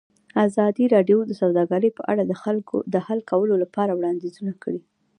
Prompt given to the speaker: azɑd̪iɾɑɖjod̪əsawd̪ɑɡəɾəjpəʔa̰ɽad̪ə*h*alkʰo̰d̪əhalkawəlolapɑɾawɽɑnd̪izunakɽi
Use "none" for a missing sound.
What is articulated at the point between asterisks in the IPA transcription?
x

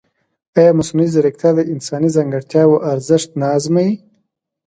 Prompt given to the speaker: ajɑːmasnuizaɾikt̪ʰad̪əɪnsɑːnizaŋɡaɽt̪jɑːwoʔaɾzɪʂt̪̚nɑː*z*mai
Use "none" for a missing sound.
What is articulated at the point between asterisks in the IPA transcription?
z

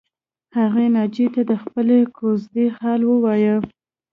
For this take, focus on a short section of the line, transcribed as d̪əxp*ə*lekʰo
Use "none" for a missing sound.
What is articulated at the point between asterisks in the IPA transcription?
ə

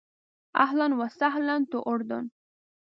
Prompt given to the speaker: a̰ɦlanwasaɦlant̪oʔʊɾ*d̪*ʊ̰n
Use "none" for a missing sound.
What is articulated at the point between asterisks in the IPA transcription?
d̪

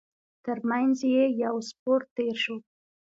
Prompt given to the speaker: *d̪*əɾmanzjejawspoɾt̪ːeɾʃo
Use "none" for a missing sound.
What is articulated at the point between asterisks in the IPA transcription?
t̪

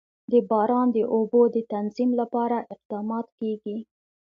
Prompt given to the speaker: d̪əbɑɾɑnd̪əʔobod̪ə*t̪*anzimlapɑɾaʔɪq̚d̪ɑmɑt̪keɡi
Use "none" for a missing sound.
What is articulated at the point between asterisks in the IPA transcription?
t̪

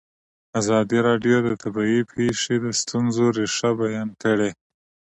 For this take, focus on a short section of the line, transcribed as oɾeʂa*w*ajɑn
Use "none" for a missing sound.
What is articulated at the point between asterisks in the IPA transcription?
b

